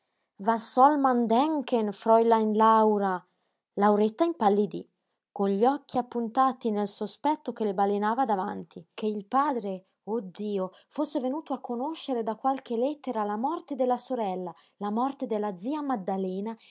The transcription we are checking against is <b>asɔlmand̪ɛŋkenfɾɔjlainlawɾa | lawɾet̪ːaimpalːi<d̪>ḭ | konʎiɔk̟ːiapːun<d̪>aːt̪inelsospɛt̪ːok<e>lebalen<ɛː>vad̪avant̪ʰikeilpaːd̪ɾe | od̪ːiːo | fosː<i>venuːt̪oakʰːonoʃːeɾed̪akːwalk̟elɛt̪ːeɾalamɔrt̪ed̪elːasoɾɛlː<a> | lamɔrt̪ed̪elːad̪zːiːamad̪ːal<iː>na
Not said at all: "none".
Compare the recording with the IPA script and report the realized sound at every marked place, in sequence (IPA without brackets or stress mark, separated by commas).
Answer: v, d̪, t̪, e, aː, e, a, ɛː